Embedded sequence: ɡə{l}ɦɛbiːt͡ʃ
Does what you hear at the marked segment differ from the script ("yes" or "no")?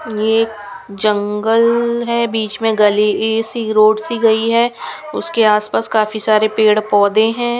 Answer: no